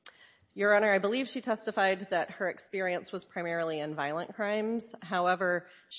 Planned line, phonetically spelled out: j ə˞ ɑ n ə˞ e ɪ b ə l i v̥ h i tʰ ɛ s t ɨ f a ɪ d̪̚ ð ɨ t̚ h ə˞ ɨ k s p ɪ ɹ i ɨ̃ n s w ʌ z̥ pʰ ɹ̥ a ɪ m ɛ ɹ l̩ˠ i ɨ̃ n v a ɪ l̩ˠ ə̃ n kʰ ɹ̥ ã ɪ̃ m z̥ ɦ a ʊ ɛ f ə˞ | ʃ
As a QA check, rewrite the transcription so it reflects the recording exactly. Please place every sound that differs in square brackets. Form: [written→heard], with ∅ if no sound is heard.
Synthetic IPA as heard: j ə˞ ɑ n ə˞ [e→a] ɪ b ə l i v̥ [h→ʃ] i tʰ ɛ s t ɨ f a ɪ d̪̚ ð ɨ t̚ h ə˞ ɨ k s p ɪ ɹ i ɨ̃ n s w ʌ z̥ pʰ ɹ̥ a ɪ m ɛ ɹ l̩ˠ i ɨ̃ n v a ɪ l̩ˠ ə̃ n kʰ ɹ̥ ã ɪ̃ m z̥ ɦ a ʊ ɛ [f→v] ə˞ | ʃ